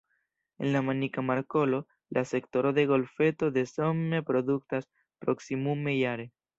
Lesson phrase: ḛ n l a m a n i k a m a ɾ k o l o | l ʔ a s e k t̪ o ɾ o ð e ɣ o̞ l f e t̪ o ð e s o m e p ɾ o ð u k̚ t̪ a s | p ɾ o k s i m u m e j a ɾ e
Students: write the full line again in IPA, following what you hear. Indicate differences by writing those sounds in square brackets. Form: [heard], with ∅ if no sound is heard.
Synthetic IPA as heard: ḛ n l a m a n i k a m a ɾ k o l o | l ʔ a s e k t̪ o ɾ o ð e ɣ o̞ l f e t̪ o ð e s o m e p ɾ o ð u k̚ t̪ a s | p ɾ o k s i m u m e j a ɾ e